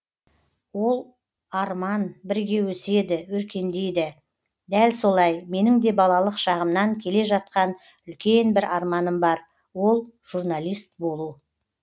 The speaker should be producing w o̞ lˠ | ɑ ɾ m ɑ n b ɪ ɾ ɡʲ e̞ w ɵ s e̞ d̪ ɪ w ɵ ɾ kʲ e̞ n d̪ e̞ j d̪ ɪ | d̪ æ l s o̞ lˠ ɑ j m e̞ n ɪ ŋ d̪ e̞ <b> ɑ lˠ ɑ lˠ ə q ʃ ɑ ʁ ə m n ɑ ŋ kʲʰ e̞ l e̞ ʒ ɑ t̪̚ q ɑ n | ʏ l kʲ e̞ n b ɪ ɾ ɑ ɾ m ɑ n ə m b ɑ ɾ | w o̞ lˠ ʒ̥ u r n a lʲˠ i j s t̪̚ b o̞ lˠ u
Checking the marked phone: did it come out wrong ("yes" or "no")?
no